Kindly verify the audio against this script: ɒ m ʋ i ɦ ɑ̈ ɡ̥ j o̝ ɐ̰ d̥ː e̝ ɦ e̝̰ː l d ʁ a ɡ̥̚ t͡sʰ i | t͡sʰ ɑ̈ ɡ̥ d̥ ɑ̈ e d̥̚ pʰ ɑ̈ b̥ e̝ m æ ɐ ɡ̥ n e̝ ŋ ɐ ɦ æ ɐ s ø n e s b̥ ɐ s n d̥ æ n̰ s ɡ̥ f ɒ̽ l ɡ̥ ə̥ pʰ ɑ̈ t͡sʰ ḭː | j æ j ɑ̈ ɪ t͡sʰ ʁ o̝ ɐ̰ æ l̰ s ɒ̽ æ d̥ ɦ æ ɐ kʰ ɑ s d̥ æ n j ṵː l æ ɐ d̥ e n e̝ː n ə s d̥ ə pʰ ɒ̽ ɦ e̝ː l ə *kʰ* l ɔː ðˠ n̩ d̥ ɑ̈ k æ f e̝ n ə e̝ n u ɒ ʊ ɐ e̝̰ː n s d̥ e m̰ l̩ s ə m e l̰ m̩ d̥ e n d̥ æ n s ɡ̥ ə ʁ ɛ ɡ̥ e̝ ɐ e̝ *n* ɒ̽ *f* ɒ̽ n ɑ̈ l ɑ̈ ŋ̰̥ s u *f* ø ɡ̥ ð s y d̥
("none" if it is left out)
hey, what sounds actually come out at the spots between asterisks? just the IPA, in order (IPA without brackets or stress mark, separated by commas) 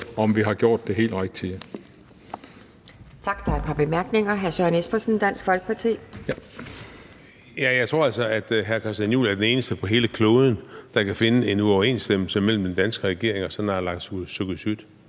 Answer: kʰ, ŋ, s, s